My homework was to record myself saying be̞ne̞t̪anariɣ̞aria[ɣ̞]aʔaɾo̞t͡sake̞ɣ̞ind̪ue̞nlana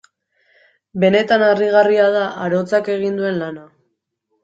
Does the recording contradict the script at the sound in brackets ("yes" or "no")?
yes